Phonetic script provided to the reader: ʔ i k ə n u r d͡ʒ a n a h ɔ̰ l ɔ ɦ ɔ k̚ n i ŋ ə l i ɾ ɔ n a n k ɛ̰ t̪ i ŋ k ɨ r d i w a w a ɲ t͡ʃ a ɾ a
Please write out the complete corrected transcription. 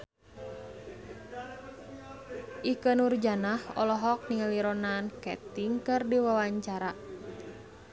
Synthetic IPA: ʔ i k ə n u r d͡ʒ a n a h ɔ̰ l ɔ ɦ ɔ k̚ n i ŋ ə l i ɾ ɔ n a n k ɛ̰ t̪ i ŋ k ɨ r d i w a w a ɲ t͡ʃ a ɾ a